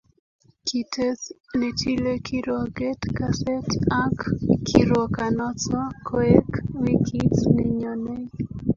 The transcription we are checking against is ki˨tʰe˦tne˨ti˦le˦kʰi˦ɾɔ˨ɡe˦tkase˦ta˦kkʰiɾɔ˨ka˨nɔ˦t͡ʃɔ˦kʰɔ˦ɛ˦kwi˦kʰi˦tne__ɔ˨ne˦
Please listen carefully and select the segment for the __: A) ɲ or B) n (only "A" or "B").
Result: A